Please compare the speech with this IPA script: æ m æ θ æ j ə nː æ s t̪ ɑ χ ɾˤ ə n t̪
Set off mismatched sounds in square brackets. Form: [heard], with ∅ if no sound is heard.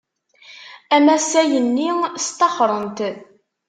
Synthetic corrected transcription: æ m æ [s] æ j ə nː [i] s t̪ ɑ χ ɾˤ ə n t̪

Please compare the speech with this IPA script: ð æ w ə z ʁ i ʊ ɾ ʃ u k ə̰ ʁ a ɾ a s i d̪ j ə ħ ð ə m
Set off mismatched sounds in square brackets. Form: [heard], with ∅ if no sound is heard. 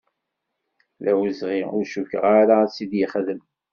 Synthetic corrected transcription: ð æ w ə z ʁ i ʊ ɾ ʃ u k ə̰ ʁ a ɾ a s i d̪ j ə [χ] ð ə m

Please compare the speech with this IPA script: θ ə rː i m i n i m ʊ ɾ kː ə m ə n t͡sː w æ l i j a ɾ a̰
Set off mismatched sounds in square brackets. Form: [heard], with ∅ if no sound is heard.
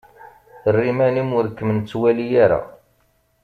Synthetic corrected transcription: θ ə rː i m [æ] n i m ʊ ɾ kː ə m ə n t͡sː w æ l i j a ɾ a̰

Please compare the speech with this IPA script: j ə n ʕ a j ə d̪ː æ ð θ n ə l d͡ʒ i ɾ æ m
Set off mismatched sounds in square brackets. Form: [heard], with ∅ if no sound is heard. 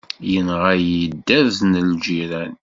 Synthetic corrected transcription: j ə n [ʁ] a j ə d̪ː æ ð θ n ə l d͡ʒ i ɾ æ [n]

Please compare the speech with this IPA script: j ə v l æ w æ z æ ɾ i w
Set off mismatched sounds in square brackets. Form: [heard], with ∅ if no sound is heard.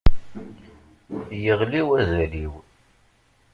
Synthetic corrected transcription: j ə [ʁ] l [i] w æ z æ [l] i w

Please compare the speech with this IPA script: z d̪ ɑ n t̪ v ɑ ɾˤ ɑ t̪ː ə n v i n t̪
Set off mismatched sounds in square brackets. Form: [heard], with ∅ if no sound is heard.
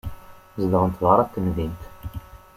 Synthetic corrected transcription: z d̪ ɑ n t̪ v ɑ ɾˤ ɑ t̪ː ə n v i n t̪

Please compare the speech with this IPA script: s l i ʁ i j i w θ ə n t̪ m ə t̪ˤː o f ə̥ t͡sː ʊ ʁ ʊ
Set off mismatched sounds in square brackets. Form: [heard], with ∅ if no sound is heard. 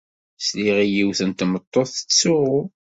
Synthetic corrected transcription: s l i ʁ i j i w θ ə n t̪ m ə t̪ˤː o [θ] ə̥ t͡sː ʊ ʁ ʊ

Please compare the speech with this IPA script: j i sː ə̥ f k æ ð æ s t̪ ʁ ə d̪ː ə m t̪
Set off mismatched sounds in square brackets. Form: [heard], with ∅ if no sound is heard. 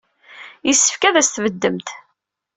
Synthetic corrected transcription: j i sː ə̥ f k æ ð æ s t̪ [v] ə d̪ː ə m t̪

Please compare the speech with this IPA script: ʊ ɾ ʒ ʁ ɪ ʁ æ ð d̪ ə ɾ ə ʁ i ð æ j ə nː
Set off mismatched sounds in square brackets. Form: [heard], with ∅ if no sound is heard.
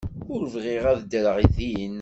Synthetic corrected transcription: ʊ ɾ [v] ʁ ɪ ʁ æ ð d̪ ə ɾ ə ʁ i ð [i] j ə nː

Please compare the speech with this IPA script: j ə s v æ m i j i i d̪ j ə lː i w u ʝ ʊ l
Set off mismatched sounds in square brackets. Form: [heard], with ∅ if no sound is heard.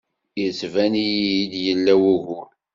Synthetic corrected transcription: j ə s v æ [n] i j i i d̪ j ə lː [æ] w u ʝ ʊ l

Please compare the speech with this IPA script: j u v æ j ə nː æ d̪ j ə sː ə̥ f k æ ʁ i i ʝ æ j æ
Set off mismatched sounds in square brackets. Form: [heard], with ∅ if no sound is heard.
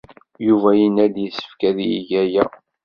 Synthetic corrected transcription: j u v æ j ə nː æ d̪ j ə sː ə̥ f k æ [ð] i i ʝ æ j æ

